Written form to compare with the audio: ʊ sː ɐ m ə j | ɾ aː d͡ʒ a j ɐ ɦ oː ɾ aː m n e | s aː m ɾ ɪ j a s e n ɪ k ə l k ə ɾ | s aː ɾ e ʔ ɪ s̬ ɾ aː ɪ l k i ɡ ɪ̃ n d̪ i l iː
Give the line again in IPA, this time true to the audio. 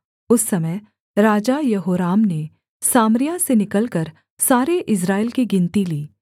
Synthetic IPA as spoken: ʊ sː ɐ m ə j | ɾ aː d͡ʒ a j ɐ ɦ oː ɾ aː m n e | s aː m ɾ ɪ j a s e n ɪ k ə l k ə ɾ | s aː ɾ e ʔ ɪ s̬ ɾ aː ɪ l k i ɡ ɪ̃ n t̪ i l iː